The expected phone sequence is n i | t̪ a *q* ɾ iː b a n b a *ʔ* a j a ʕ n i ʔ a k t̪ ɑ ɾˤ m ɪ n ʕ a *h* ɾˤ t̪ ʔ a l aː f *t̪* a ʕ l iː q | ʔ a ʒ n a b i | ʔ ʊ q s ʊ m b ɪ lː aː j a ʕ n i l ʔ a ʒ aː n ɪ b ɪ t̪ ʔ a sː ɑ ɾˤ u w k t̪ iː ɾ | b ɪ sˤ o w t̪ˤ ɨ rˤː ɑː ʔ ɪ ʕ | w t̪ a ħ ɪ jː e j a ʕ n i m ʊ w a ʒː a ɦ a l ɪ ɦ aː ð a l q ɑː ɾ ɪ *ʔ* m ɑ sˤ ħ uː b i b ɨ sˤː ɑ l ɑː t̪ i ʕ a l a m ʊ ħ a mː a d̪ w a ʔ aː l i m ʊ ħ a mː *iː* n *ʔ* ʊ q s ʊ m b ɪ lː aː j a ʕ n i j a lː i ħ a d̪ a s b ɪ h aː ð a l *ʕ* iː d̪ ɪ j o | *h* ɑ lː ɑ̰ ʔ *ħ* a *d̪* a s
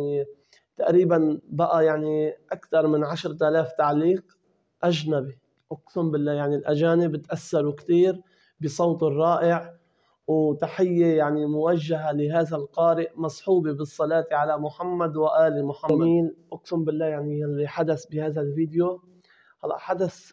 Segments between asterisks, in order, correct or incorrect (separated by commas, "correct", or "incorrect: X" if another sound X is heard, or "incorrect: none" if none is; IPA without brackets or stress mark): incorrect: ʔ, correct, incorrect: ʃ, correct, correct, correct, correct, incorrect: v, correct, correct, correct